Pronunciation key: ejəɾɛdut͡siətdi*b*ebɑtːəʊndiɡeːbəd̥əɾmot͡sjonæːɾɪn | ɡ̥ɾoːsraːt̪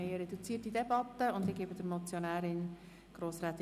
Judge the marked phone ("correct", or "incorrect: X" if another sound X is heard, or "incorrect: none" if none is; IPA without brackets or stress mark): incorrect: d